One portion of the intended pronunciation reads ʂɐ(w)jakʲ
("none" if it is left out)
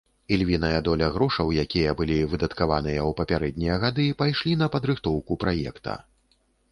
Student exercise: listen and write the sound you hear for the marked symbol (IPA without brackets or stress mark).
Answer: w